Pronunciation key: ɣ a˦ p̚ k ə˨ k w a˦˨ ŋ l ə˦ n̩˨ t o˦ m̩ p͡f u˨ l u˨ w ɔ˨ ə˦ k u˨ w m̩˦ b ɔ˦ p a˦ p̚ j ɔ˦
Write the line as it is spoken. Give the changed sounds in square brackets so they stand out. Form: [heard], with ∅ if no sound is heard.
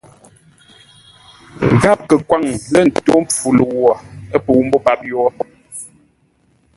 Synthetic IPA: ɣ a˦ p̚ k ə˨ k w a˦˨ ŋ l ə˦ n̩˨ t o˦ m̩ p͡f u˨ l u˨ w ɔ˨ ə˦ [p] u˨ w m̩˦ b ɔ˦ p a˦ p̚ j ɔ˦